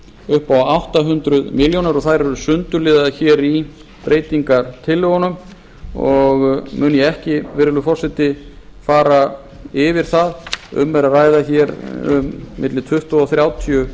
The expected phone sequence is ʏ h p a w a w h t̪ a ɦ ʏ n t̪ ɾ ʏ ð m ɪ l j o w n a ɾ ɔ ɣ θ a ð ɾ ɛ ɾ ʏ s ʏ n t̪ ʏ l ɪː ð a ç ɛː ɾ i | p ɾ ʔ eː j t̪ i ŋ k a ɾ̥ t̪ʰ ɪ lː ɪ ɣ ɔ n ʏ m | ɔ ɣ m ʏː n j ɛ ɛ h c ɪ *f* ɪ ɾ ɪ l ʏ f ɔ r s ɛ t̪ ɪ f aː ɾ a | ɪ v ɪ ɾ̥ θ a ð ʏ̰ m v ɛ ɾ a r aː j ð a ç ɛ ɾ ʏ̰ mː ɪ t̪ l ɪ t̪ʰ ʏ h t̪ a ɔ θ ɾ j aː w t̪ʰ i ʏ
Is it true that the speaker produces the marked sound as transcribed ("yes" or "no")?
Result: no